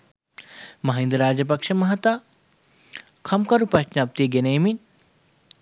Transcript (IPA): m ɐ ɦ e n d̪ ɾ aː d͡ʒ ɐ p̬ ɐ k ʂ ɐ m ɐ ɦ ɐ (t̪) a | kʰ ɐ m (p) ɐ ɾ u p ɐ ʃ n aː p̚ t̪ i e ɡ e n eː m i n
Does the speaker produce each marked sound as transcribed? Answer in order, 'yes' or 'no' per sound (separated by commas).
yes, no